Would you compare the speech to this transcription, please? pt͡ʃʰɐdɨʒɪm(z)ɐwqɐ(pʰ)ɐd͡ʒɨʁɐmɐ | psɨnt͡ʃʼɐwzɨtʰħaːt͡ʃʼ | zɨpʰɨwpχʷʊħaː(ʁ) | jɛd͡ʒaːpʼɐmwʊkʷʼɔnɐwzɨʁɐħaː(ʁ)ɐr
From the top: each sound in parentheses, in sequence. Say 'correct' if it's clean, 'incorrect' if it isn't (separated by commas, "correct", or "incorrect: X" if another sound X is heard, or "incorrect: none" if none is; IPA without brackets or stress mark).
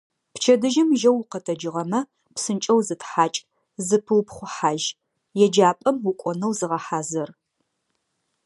incorrect: ʒ, incorrect: tʰ, incorrect: ʒ, incorrect: z